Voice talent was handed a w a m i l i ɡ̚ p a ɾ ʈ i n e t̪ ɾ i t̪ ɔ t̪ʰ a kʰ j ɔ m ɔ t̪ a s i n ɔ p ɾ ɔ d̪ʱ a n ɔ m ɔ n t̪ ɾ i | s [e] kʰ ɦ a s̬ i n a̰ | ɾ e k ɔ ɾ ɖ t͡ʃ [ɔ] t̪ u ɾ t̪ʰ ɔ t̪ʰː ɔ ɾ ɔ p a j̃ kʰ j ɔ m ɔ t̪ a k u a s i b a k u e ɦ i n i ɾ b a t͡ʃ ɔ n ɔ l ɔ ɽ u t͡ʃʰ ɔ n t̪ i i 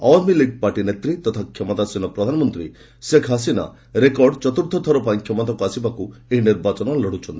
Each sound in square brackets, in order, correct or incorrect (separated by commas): correct, correct